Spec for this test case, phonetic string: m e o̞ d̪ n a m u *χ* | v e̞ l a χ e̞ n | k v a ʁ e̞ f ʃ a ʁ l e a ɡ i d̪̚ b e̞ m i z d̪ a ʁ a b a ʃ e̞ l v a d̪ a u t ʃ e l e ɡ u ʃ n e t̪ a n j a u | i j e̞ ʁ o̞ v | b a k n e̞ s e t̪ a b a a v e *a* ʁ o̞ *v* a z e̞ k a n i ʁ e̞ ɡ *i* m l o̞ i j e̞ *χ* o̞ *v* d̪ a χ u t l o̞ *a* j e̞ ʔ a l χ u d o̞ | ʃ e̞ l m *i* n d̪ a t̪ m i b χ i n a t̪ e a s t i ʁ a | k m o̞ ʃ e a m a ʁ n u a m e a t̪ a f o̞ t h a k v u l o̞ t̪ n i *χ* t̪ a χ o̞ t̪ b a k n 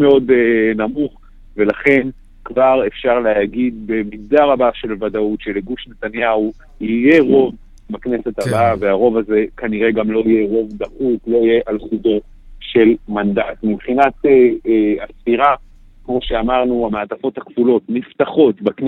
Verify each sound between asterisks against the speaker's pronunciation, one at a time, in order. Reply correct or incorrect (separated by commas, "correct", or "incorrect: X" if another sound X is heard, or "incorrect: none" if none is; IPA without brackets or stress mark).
correct, correct, correct, incorrect: a, incorrect: ʁ, correct, incorrect: i, incorrect: a, incorrect: f